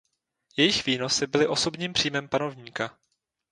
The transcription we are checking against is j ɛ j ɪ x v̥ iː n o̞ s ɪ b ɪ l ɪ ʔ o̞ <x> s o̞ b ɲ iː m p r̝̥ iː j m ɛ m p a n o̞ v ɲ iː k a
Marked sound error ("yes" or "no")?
yes